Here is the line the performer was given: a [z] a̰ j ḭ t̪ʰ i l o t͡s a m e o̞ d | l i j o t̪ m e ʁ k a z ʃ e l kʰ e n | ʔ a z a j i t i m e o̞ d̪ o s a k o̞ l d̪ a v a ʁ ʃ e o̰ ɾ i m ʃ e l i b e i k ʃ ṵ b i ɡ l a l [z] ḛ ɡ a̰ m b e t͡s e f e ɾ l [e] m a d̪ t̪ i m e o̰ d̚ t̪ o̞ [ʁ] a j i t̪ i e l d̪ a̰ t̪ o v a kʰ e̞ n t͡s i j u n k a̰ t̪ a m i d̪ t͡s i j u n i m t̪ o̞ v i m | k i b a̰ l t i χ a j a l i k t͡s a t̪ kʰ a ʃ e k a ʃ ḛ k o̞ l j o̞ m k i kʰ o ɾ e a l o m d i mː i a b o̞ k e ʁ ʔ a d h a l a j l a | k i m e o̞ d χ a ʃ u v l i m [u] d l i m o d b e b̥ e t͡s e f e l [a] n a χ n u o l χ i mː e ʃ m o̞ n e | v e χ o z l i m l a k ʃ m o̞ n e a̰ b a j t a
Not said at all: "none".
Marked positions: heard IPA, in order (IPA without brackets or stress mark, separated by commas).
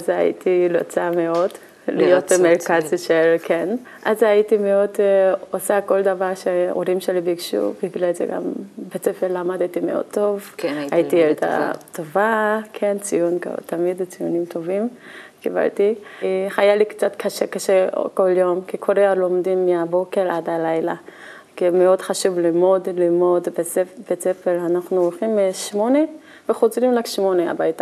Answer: z, z, a, v, o, a